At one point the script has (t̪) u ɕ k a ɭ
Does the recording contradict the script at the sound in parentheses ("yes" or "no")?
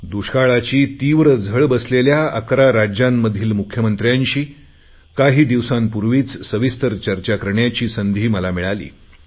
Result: yes